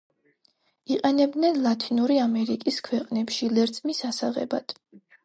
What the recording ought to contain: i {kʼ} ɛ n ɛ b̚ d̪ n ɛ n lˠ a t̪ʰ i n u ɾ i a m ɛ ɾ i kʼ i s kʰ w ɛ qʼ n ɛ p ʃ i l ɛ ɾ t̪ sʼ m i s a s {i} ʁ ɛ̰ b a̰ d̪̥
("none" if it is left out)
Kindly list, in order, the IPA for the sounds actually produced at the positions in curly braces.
qʼ, a

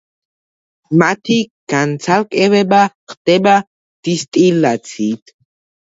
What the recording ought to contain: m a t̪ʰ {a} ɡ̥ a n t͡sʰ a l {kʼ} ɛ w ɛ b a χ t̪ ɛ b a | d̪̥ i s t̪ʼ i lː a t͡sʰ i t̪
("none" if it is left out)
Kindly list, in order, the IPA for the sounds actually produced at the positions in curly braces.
i, kʼ

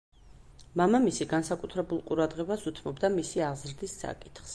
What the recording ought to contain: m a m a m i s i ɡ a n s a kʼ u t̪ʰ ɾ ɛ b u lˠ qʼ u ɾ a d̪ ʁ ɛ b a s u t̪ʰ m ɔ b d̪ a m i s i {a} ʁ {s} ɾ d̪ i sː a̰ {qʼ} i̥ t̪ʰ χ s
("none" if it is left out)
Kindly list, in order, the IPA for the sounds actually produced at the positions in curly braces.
a, z, kʼ

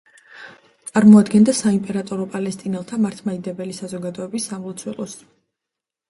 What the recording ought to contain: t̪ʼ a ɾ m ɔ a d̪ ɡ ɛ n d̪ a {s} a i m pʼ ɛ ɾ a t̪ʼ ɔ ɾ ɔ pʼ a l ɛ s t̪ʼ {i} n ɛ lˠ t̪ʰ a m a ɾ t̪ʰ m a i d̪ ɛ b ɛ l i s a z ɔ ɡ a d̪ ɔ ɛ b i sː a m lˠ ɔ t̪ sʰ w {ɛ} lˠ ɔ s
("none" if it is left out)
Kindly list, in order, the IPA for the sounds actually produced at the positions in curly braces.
s, i, ɛ

